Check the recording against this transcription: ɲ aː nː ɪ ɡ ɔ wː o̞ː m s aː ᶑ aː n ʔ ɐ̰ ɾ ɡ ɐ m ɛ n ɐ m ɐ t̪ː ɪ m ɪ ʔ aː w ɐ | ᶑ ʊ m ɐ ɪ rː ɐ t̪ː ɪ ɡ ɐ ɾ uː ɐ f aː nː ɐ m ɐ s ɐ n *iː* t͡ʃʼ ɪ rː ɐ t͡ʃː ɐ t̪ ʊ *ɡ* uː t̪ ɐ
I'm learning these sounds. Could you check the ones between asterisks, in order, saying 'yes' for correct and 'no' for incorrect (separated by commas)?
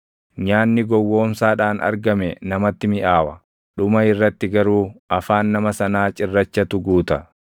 no, yes